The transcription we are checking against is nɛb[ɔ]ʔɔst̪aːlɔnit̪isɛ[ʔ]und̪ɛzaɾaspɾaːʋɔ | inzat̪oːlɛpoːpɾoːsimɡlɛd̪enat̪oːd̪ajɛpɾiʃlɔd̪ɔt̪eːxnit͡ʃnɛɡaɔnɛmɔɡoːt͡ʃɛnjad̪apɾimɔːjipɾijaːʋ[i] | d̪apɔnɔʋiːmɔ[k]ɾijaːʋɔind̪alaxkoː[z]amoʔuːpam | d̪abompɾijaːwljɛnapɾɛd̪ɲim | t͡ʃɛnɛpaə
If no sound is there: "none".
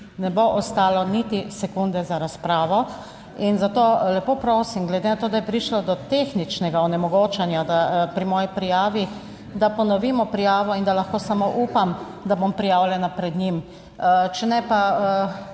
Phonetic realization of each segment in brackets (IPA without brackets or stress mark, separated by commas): o, k, i, p, s